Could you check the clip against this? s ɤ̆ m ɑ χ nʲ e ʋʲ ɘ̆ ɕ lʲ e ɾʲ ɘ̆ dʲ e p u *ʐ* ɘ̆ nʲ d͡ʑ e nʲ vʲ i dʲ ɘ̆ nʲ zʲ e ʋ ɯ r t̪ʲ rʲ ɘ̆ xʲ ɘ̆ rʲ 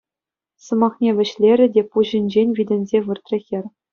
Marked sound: incorrect: ʑ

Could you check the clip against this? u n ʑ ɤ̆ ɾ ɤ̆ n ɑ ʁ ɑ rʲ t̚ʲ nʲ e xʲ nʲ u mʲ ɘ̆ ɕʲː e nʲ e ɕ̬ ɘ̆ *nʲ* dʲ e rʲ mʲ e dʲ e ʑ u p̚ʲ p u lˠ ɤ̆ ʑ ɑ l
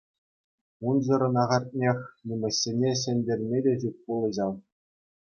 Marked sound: correct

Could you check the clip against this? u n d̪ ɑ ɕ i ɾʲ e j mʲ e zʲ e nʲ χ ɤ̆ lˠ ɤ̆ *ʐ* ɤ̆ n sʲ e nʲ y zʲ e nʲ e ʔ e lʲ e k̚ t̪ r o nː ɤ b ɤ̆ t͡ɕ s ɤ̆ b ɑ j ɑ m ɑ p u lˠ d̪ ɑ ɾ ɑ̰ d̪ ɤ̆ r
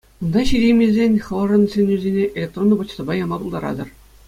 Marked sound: correct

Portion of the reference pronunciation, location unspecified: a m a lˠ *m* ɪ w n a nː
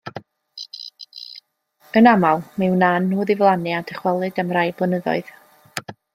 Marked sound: correct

